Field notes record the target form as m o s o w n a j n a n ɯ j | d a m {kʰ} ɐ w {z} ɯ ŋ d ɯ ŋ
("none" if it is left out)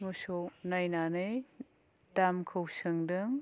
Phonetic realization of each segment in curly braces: kʰ, s

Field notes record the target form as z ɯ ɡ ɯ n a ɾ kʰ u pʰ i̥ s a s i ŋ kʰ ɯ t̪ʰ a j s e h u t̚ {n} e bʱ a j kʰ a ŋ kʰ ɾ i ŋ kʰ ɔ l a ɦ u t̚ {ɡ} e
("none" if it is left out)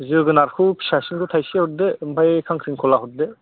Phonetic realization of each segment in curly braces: d, d

